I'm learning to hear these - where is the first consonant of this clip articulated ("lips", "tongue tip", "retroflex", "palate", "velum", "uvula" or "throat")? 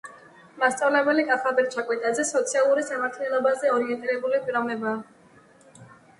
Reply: lips